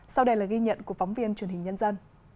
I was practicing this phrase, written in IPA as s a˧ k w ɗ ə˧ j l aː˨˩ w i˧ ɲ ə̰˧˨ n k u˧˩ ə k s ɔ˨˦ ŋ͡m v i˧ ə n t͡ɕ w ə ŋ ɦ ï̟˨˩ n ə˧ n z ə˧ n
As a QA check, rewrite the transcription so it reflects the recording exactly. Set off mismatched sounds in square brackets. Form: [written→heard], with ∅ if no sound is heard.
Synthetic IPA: s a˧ [k→∅] w ɗ ə˧ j l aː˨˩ [w→ɣ] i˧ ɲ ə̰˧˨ n k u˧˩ ə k [s→f] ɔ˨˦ ŋ͡m v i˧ ə n t͡ɕ w ə [ŋ→n] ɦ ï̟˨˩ [n→ɲ] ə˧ n z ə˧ n